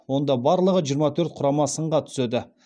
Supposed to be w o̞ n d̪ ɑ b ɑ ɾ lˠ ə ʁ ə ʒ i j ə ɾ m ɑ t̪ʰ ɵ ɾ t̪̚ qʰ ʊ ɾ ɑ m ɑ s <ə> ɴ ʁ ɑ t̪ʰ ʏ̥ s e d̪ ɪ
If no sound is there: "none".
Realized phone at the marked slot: ə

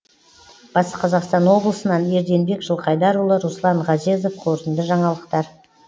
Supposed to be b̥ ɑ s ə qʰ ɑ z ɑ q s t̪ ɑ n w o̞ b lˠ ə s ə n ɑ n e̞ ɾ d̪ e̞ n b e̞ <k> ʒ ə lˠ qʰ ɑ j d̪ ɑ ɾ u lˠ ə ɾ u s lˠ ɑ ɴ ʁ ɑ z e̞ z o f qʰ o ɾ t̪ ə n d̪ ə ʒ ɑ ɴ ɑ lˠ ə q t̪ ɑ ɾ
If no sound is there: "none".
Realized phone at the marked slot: k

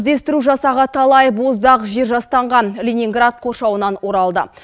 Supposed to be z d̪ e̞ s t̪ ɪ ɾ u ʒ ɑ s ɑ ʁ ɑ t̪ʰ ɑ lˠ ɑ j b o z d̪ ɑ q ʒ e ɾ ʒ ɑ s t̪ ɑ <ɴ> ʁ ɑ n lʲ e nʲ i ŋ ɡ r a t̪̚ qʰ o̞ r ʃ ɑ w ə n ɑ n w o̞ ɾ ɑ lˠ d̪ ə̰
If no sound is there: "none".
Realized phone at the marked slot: ɴ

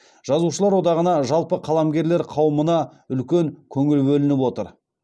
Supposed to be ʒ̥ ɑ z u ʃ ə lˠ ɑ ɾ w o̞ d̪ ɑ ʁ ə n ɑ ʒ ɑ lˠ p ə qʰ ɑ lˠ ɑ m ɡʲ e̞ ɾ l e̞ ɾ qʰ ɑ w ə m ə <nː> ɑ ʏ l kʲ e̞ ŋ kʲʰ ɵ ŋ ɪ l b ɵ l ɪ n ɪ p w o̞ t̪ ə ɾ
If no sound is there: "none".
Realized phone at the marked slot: n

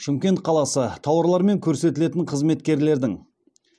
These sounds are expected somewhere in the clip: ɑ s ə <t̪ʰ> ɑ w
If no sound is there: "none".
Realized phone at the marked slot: t̪ʰ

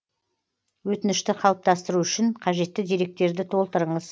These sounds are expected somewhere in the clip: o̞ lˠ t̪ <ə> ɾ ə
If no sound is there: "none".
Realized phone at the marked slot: ə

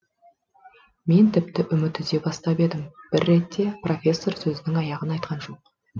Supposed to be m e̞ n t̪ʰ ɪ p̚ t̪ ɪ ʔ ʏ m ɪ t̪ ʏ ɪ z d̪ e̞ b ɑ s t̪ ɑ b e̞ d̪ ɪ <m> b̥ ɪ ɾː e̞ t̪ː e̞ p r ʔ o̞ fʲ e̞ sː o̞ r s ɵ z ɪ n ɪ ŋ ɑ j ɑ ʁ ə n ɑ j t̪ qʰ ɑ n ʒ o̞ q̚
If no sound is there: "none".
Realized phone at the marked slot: m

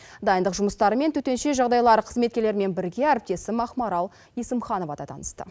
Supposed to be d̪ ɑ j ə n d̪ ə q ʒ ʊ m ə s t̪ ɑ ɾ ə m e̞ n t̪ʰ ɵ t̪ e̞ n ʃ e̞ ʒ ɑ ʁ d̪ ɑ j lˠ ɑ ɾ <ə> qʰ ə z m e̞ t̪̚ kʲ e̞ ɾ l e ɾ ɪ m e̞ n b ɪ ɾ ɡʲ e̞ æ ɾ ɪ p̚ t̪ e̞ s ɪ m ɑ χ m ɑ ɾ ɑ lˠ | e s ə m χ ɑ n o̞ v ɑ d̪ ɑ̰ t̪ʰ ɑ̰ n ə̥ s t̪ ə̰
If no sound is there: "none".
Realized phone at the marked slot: ə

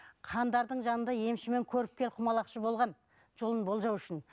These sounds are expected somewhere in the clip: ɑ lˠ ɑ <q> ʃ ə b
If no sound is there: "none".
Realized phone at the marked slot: q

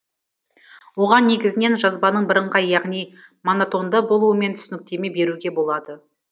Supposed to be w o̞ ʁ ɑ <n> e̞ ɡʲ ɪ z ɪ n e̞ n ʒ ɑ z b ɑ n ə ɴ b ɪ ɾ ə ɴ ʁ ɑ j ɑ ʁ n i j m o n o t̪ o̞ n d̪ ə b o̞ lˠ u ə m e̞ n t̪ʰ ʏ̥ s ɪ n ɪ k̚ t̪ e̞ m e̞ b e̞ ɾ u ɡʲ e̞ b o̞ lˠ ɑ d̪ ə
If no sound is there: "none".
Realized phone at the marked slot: nː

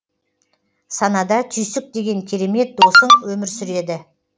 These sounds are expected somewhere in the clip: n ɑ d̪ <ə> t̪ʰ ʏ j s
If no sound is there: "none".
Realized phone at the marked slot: ɑ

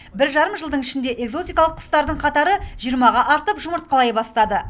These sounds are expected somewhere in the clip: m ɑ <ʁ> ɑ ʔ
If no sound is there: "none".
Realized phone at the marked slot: ʁ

